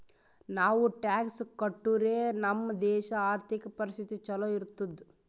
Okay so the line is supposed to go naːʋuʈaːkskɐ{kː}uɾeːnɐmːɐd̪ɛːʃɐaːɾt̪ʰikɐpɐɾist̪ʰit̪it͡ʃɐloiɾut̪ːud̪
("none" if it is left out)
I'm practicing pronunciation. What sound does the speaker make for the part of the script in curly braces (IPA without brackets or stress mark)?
ʈː